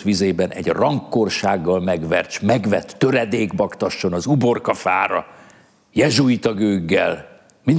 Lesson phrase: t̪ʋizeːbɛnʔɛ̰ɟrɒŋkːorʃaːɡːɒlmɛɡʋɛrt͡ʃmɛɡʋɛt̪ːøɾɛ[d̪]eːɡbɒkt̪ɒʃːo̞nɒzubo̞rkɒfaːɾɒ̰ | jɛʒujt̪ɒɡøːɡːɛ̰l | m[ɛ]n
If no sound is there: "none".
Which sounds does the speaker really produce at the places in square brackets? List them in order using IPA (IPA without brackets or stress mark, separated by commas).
d̪, i